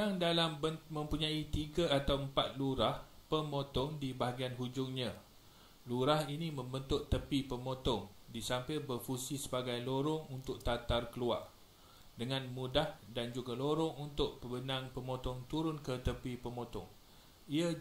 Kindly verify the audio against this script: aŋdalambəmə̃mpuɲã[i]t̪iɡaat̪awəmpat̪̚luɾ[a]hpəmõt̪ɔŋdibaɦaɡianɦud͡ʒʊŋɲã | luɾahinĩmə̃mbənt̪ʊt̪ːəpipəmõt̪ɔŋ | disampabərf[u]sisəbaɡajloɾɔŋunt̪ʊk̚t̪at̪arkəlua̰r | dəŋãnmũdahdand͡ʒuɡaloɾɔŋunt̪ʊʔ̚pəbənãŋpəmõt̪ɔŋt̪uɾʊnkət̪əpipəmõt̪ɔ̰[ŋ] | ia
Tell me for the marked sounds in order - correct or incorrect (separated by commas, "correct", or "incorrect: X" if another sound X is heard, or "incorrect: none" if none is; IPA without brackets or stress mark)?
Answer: correct, correct, correct, correct